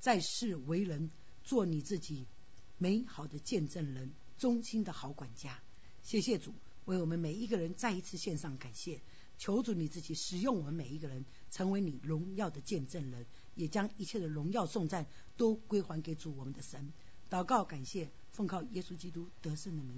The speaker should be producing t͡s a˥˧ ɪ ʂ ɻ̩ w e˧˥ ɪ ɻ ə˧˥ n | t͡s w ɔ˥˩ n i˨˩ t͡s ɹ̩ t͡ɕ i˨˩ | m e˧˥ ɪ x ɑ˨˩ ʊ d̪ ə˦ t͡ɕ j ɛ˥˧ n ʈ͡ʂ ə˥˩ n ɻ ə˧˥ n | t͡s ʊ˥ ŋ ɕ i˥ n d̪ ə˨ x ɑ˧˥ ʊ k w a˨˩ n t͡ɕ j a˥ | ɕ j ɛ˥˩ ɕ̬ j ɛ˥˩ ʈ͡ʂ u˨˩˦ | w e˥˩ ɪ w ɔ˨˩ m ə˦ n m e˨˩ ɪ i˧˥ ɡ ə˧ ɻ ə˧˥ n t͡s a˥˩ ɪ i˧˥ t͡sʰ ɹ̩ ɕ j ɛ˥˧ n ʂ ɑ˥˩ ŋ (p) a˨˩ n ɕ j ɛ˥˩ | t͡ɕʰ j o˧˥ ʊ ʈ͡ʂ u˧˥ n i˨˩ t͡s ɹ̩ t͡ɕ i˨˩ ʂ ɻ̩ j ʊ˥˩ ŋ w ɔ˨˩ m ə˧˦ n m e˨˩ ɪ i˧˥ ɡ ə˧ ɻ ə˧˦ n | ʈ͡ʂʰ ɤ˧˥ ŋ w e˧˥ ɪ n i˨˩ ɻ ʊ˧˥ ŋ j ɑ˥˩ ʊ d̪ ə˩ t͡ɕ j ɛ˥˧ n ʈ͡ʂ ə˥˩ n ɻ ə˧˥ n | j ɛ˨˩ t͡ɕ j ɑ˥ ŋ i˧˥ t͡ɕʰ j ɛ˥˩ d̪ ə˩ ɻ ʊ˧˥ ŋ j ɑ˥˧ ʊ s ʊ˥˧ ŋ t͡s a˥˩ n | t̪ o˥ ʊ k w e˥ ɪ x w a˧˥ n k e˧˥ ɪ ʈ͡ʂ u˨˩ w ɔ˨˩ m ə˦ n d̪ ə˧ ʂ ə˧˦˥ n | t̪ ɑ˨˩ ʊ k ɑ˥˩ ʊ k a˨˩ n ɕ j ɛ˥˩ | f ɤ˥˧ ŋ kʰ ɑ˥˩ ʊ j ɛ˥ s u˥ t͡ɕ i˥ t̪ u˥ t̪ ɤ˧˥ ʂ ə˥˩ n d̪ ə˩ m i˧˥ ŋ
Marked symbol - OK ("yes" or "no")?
no